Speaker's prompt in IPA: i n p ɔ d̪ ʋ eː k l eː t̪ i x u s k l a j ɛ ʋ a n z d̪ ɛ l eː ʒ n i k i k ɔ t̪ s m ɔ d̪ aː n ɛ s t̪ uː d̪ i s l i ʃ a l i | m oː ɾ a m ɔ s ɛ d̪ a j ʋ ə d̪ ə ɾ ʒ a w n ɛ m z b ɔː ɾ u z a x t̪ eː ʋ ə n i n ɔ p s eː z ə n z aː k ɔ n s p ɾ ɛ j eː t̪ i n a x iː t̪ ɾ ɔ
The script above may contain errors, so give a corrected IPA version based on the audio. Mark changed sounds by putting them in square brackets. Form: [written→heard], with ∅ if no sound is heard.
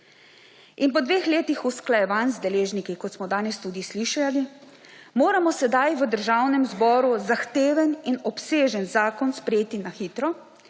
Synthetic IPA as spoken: i n p ɔ d̪ ʋ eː [k→x] l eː t̪ i x u s k l a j ɛ ʋ a n z d̪ ɛ l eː ʒ n i k i k ɔ t̪ s m ɔ d̪ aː n ɛ s t̪ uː d̪ i s l i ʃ a l i | m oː ɾ a m ɔ s ɛ d̪ a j ʋ ə d̪ ə ɾ ʒ a w n ɛ m z b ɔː ɾ u z a x t̪ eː ʋ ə n i n ɔ p s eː [z→ʒ] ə n z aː k ɔ n s p ɾ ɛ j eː t̪ i n a x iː t̪ ɾ ɔ